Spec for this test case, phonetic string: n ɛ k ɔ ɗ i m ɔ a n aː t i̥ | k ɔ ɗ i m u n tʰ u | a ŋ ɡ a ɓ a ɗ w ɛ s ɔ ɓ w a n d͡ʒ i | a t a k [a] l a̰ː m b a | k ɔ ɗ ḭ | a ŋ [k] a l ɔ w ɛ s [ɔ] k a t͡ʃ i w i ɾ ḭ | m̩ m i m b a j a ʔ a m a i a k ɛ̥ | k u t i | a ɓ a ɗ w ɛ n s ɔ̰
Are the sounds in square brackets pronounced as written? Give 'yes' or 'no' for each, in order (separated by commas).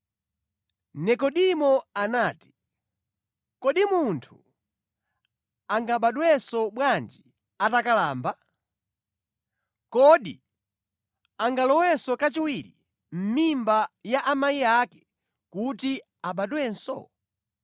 yes, no, yes